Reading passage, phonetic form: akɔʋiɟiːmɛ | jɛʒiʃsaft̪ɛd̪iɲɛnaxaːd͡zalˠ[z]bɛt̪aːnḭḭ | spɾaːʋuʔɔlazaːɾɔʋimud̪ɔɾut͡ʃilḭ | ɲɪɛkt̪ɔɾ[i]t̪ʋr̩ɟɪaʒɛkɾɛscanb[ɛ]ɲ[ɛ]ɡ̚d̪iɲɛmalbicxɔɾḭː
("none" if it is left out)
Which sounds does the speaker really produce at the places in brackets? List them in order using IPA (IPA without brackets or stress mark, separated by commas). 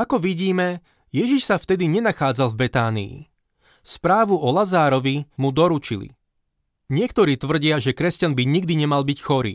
v, iː, i, i